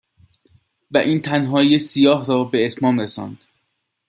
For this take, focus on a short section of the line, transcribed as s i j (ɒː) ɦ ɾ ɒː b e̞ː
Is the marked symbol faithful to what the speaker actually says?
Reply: yes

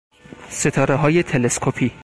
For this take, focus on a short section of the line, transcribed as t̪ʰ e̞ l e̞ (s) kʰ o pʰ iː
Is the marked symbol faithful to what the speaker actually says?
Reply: yes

